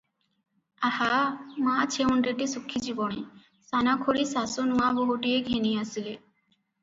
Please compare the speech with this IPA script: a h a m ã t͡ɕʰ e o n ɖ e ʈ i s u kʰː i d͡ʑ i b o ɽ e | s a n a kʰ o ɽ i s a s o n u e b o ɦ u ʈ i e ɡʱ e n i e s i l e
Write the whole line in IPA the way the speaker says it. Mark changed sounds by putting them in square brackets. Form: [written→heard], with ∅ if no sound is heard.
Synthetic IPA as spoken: a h a m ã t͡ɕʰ e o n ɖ e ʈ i s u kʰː i d͡ʑ i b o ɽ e | s a n a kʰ o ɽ i s a s o n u [e→a] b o ɦ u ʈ i e ɡʱ e n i [e→a] s i l e